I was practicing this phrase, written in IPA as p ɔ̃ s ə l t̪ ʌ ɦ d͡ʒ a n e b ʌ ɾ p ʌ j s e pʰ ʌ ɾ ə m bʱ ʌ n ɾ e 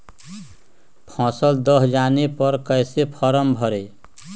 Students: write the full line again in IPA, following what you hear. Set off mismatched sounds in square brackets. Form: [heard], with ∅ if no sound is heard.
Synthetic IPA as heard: [pʰ] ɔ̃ s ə l [d̪] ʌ ɦ d͡ʒ a n e [p] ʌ ɾ [k] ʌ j s e pʰ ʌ ɾ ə m bʱ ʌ [∅] ɾ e